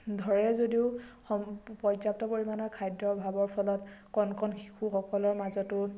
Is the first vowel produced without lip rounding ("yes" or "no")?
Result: no